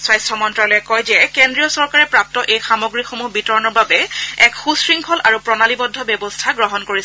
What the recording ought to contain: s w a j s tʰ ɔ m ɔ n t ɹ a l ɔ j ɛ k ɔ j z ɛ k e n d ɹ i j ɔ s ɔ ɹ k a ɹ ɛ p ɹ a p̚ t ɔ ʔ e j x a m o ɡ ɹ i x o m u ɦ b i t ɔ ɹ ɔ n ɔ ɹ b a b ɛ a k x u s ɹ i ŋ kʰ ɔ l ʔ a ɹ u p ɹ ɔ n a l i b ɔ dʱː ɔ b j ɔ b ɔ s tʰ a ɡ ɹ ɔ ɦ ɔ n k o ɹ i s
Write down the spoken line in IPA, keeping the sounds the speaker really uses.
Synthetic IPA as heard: s w a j s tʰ ɔ m ɔ n t ɹ a l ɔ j ɛ k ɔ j z ɛ k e n d ɹ i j ɔ s ɔ ɹ k a ɹ ɛ p ɹ a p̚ t ɔ ʔ e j x a m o ɡ ɹ i x o m u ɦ b i t ɔ ɹ ɔ n ɔ ɹ b a b ɛ ɛ k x u s ɹ i ŋ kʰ ɔ l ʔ a ɹ u p ɹ ɔ n a l i b ɔ dʱː ɔ b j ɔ b ɔ s tʰ a ɡ ɹ ɔ ɦ ɔ n k o ɹ i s